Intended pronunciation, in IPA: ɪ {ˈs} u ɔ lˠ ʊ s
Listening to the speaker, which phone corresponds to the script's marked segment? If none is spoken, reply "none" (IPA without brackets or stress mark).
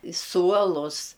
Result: s